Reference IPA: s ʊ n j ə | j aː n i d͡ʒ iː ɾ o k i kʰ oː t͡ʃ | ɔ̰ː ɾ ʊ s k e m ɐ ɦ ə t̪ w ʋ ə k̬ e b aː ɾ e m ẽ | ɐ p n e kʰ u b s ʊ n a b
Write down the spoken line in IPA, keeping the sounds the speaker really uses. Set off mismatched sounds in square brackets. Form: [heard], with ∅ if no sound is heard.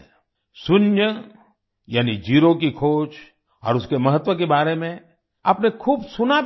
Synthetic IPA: s ʊ n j ə | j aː n i d͡ʒ iː ɾ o k i kʰ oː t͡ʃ | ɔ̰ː ɾ ʊ s k e m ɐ ɦ ə t̪ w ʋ ə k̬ e b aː ɾ e m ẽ | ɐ p n e kʰ [uː] b s ʊ n a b